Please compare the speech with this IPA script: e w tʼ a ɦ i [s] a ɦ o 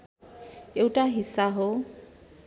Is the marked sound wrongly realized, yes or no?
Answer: no